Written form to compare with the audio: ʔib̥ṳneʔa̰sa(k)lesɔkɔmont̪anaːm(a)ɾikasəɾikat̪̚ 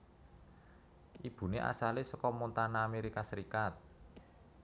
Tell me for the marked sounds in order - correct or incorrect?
incorrect: none, incorrect: e

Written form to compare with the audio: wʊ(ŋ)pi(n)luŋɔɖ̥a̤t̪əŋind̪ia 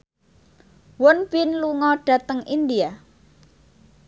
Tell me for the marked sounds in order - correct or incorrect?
incorrect: n, correct

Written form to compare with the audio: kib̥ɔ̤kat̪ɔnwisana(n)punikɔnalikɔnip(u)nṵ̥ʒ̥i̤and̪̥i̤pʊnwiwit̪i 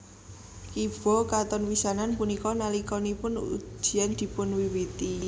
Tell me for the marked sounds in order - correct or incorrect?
correct, incorrect: ʊ

